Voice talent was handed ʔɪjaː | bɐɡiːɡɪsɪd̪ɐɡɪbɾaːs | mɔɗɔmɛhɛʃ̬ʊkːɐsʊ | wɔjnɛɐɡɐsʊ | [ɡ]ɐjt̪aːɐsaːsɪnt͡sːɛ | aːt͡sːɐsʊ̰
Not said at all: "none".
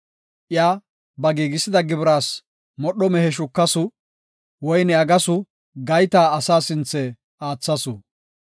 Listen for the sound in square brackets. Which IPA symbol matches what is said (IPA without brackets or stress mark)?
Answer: ɡ